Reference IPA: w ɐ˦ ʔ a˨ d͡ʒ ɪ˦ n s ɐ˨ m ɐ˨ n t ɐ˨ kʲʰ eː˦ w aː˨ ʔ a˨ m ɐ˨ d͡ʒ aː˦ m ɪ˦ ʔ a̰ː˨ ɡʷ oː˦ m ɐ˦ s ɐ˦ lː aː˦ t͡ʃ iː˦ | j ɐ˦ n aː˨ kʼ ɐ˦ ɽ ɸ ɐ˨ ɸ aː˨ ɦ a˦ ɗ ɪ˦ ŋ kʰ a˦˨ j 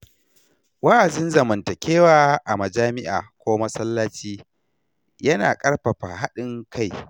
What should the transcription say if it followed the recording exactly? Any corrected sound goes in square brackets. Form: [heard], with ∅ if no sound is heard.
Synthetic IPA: w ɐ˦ ʔ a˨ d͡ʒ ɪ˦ n [z] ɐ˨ m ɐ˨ n t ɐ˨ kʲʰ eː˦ w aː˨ ʔ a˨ m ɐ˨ d͡ʒ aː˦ m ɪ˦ ʔ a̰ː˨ [kʷ] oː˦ m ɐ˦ s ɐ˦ lː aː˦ t͡ʃ iː˦ | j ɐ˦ n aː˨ kʼ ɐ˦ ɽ ɸ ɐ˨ ɸ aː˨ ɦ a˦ ɗ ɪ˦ ŋ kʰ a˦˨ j